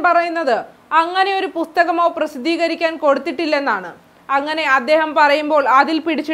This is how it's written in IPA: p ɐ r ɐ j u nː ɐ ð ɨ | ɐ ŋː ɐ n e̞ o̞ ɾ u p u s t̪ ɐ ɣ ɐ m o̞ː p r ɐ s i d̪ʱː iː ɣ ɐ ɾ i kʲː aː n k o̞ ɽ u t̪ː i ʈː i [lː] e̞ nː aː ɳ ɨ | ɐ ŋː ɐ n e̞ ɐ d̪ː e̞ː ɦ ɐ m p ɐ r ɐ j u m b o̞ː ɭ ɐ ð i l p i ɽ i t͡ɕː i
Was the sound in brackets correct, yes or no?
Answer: yes